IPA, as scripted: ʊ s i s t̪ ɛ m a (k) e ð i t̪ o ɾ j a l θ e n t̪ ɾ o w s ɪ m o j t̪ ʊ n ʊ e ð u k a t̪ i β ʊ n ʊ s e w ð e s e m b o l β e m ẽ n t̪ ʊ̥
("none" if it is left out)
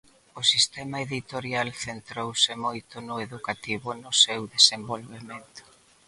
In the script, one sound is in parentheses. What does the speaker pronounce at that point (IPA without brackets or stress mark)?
none